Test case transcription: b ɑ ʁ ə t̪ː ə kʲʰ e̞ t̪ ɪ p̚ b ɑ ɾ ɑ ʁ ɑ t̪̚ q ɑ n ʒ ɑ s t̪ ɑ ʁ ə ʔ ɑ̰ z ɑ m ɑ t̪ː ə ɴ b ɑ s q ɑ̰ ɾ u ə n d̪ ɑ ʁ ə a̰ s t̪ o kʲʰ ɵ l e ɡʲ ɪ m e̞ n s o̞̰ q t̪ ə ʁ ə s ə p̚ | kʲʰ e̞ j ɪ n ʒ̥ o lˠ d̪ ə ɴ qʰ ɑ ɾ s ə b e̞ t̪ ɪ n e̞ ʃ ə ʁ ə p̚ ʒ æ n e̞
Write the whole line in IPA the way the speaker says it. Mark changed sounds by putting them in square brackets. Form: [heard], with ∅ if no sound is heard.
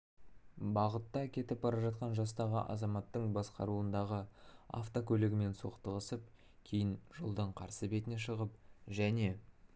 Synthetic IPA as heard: b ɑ ʁ ə t̪ː [ɑ] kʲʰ e̞ t̪ ɪ p̚ b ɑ ɾ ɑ [ʒ] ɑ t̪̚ q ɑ n ʒ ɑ s t̪ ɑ ʁ ə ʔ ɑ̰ z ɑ m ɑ t̪ː ə ɴ b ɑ s q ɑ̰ ɾ u ə n d̪ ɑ ʁ ə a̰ [f] t̪ o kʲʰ ɵ l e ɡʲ ɪ m e̞ n s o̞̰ q t̪ ə ʁ ə s ə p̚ | kʲʰ e̞ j ɪ n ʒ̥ o lˠ d̪ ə ɴ qʰ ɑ ɾ s ə b e̞ t̪ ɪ n e̞ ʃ ə ʁ ə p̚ ʒ æ n e̞